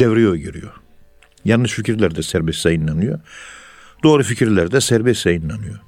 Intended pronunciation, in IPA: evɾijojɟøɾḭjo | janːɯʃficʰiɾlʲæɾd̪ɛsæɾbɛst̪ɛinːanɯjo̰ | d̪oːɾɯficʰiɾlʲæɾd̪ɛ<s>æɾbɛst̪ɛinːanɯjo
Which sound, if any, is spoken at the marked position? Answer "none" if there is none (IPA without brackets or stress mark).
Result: s